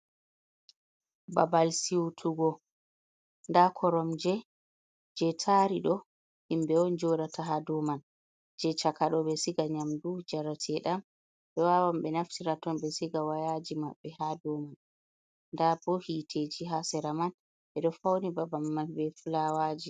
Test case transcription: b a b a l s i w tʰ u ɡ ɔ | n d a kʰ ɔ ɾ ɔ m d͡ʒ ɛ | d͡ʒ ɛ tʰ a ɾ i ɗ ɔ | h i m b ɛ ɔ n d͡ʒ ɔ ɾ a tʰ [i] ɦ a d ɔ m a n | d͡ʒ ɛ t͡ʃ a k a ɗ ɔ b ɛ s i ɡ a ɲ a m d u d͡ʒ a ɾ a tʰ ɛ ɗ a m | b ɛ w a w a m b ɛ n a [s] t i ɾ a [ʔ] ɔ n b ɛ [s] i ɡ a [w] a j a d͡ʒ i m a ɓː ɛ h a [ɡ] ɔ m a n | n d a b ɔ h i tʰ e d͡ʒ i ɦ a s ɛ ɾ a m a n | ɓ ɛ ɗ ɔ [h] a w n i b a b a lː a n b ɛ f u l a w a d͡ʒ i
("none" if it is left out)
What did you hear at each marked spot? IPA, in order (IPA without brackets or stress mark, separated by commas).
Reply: a, f, t, s, w, d, f